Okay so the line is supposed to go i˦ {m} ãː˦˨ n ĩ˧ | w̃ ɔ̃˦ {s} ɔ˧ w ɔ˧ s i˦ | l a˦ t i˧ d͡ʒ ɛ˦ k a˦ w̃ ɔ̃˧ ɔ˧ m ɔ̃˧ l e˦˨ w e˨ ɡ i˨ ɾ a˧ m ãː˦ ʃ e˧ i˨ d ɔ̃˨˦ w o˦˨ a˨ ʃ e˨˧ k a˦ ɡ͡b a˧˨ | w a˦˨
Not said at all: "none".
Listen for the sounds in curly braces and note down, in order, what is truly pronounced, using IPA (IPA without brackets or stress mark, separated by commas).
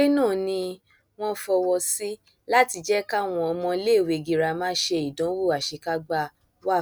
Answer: n, f